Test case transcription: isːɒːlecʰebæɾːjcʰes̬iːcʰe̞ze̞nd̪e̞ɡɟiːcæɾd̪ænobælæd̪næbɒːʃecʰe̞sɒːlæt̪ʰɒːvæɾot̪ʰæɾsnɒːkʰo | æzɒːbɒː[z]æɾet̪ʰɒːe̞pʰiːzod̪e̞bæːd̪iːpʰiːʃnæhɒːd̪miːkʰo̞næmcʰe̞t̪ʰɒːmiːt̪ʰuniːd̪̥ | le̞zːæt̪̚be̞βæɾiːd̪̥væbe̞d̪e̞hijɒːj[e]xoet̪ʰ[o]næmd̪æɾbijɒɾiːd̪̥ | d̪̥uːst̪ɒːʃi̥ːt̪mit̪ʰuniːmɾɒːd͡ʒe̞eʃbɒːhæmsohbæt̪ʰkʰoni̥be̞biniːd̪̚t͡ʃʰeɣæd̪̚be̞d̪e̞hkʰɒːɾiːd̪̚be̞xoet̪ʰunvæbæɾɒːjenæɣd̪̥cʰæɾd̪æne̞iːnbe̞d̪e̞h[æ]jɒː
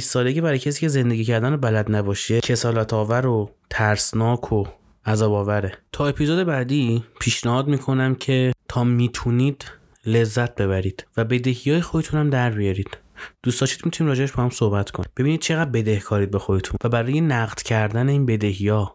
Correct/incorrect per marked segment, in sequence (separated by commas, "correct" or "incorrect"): incorrect, correct, incorrect, incorrect